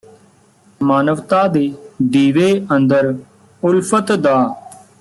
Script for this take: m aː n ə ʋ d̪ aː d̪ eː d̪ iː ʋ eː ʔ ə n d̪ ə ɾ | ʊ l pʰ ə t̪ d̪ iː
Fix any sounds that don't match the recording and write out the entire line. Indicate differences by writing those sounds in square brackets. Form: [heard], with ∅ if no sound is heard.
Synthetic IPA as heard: m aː n ə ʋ [t̪] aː d̪ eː d̪ iː ʋ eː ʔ ə n d̪ ə ɾ | ʊ l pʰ ə t̪ d̪ [aː]